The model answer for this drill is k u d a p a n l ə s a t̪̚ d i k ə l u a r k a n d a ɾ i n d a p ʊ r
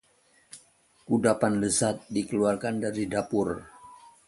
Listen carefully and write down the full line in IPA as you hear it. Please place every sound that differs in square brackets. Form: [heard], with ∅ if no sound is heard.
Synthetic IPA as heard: k u d a p a n l ə s a t̪̚ d i k ə l u a r k a n d a ɾ i [∅] d a p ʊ r